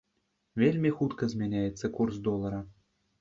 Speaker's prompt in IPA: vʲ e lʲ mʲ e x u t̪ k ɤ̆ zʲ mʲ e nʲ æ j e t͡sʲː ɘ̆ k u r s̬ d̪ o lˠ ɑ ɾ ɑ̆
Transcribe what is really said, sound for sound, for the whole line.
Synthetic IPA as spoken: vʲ e lʲ mʲ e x u t̪ k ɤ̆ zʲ mʲ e nʲ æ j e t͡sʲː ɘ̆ k u r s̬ d̪ o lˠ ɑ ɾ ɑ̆